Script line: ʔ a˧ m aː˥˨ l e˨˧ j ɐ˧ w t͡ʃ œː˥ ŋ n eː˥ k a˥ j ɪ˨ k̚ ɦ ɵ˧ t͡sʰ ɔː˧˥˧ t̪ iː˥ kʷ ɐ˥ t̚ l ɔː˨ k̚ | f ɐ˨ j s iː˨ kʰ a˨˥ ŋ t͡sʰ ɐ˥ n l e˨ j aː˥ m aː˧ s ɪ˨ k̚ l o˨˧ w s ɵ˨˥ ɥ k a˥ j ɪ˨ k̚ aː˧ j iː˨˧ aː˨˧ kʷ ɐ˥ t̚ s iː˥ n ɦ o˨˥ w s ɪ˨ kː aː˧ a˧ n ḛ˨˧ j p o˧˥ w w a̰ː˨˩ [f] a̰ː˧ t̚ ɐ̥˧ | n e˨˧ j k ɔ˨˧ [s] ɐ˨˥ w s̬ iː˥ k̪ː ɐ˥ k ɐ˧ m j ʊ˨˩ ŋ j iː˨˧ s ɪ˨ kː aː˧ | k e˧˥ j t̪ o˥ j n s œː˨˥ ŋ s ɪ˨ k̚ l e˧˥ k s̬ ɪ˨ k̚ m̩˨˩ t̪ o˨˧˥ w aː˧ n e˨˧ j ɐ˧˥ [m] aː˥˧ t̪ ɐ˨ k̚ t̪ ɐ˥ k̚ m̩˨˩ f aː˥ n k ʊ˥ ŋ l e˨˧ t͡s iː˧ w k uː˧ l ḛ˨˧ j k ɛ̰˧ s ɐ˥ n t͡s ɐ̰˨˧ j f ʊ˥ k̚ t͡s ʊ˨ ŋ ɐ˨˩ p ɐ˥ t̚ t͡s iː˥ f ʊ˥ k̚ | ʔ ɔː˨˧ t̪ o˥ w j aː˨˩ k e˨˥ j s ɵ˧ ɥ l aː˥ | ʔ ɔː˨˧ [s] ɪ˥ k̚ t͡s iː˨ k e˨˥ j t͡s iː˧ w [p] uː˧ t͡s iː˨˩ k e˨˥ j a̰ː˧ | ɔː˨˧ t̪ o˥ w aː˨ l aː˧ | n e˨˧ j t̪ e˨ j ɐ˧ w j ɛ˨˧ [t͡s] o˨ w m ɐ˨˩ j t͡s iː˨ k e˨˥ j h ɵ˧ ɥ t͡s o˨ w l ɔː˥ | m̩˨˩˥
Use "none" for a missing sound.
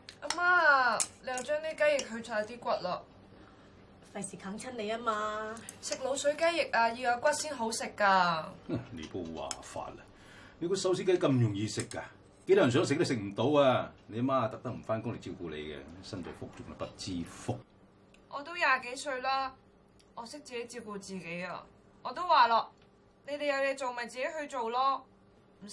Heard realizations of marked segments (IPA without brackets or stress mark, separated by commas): f, s, m, s, k, t͡s